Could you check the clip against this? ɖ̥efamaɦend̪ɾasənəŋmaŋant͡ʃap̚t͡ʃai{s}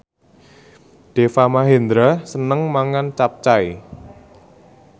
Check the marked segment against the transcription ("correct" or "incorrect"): incorrect